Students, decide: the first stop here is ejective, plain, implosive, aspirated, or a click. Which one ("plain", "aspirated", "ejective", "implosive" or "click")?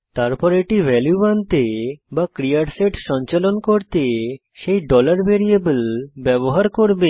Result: plain